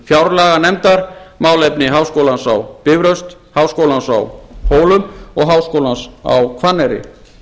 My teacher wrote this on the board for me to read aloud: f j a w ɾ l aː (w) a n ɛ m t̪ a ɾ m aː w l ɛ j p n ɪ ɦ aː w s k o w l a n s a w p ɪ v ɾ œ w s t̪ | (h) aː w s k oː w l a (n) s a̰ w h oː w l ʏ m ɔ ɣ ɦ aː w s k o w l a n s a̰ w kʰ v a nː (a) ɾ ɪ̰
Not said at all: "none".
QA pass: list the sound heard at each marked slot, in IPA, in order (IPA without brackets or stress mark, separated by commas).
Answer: ɣ, h, n, ɛ